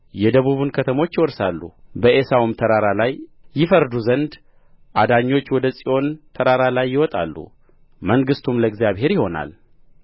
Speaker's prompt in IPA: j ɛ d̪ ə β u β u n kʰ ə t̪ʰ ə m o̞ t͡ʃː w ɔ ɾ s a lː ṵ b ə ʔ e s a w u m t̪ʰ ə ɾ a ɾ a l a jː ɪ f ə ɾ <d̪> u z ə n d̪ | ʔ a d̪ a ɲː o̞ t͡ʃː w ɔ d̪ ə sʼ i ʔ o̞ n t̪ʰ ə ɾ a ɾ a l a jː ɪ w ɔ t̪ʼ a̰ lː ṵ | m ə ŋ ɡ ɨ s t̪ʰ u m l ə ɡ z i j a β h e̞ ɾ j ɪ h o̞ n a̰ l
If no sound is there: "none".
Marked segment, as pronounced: d̪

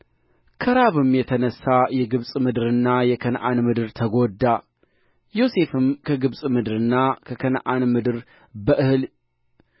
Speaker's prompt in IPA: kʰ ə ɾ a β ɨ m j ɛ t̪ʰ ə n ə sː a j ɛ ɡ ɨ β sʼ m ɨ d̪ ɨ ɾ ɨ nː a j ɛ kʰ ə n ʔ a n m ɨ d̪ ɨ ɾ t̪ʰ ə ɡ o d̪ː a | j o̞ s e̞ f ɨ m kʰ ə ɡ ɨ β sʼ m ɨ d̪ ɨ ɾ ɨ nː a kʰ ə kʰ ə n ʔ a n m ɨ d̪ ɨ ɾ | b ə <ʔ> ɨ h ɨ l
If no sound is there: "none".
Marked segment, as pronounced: ʔ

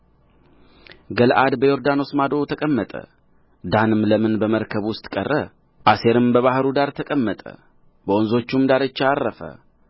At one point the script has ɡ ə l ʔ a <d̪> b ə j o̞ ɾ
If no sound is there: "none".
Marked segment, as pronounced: d̪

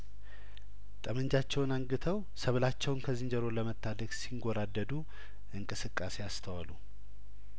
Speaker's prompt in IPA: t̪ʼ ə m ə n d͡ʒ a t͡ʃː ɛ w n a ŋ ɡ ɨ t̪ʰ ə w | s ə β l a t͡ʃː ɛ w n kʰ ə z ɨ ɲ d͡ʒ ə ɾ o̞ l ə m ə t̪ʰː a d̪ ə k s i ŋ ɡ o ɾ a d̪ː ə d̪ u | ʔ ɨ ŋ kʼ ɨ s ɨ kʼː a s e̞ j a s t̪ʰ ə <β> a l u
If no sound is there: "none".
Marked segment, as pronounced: w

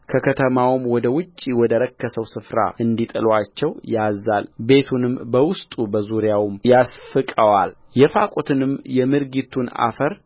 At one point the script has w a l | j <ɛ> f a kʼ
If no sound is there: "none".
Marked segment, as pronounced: ɛ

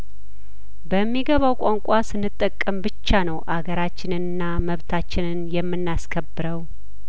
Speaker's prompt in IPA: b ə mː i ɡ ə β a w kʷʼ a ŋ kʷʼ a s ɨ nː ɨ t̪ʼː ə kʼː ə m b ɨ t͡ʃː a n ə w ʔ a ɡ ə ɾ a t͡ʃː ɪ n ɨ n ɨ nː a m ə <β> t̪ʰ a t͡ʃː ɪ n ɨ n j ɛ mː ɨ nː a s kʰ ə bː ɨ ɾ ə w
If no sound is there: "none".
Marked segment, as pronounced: β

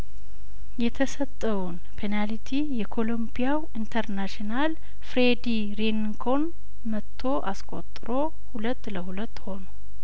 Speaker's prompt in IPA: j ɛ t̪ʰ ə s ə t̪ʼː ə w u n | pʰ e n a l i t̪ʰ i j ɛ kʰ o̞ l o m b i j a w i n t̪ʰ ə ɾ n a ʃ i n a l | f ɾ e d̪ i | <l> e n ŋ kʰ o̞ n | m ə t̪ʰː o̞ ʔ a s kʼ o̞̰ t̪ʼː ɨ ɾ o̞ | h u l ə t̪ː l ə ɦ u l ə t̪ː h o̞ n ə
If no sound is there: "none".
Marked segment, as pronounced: ɾ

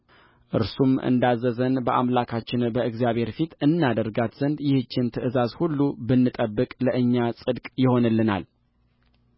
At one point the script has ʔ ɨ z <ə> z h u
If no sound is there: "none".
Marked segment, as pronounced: a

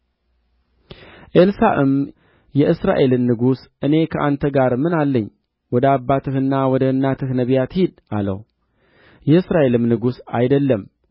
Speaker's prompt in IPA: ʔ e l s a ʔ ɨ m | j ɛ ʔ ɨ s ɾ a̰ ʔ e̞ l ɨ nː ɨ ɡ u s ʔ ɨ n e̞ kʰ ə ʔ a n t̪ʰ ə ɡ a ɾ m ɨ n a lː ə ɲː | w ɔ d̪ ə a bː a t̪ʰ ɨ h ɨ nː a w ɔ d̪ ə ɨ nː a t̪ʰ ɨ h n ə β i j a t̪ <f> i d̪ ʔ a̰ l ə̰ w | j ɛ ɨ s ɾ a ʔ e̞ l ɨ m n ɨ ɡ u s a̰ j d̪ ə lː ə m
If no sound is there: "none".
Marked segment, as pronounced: h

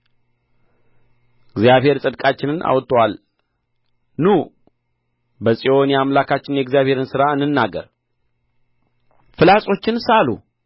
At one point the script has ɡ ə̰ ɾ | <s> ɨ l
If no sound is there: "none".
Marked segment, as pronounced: f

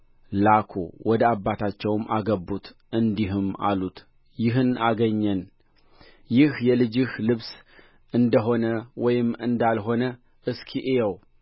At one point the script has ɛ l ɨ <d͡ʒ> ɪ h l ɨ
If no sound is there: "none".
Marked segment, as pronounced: d͡ʒ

